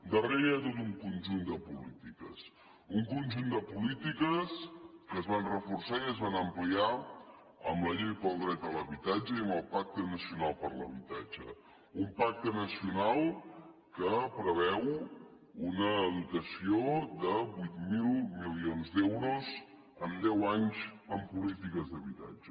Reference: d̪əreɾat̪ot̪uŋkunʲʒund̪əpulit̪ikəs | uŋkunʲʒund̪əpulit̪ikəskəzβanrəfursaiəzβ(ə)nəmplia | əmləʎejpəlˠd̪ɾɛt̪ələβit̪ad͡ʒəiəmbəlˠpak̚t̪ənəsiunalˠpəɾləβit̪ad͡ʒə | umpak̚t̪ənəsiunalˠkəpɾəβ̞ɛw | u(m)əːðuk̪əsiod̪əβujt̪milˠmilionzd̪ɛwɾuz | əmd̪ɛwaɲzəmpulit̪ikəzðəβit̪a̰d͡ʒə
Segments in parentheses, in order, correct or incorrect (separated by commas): incorrect, incorrect